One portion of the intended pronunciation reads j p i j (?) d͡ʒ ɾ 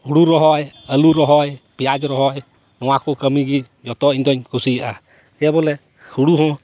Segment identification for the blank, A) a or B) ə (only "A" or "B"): A